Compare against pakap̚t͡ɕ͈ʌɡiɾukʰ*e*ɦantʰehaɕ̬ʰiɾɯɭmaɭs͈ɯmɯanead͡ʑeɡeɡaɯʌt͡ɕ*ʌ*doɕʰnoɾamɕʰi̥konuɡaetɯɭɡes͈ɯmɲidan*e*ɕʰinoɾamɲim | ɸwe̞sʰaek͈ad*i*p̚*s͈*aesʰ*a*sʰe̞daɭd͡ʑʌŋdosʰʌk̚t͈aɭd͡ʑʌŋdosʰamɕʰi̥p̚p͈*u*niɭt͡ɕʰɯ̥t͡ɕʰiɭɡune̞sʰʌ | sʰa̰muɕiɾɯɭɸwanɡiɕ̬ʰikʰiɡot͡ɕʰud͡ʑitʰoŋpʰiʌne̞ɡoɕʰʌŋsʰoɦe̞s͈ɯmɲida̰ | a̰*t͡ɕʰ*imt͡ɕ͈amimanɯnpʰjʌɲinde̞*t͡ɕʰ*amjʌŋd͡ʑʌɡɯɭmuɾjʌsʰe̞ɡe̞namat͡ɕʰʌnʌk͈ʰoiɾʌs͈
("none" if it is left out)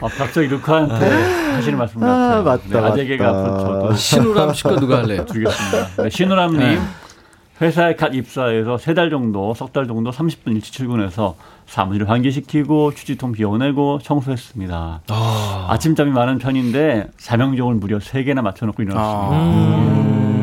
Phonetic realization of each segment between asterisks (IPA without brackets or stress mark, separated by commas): a, ʌ, e, i, s͈, ʌ, u, t͡ɕʰ, t͡ɕ